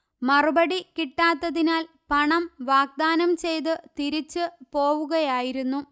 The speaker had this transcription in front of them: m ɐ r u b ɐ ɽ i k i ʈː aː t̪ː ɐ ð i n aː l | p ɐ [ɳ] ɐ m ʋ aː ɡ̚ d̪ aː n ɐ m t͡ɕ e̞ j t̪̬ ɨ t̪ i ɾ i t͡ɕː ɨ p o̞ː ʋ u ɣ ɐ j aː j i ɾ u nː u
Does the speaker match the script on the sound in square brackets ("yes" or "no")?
yes